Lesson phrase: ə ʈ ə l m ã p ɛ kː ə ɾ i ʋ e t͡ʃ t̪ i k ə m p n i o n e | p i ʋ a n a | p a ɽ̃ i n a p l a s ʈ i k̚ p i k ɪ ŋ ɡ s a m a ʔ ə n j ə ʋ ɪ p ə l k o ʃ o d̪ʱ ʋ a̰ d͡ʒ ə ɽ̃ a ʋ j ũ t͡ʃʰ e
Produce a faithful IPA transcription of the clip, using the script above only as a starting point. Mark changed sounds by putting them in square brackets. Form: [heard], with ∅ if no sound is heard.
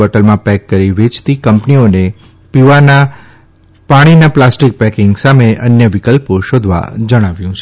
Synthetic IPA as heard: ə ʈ ə l m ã p ɛ kː ə ɾ i ʋ e t͡ʃ t̪ i k ə m p n i o n e | p i ʋ a n a | p a ɽ̃ i n a p l a s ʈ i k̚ p [ɛ] k ɪ ŋ ɡ s a m [e] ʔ ə n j ə ʋ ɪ [k] ə l [p] o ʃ o d̪ʱ ʋ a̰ d͡ʒ ə ɽ̃ a ʋ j ũ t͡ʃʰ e